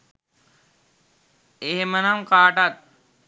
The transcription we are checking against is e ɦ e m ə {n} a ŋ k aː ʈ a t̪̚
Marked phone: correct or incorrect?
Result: correct